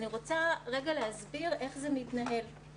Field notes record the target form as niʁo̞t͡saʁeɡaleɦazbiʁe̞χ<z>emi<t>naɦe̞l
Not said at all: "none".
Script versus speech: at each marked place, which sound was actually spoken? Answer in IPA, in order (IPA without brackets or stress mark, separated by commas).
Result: z, t